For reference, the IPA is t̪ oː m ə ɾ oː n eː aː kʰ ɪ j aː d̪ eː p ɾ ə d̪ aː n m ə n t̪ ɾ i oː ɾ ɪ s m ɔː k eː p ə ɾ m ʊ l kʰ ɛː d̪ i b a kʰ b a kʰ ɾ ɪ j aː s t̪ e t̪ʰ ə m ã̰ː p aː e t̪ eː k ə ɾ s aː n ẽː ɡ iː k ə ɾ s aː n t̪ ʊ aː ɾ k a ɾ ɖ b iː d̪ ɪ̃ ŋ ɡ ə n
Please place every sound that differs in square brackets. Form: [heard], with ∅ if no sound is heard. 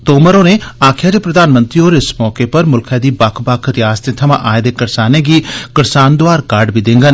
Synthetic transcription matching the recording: t̪ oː m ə ɾ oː n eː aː kʰ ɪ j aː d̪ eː p ɾ ə d̪ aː n m ə n t̪ ɾ i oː ɾ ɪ s m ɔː k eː p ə ɾ m ʊ l kʰ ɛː d̪ [iː] b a kʰ b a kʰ ɾ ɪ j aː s t̪ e t̪ʰ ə m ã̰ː [ʔ] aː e [d̪] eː k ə ɾ s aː n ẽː ɡ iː k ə ɾ s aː n [d̪] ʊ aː ɾ k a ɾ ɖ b iː d̪ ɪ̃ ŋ ɡ ə n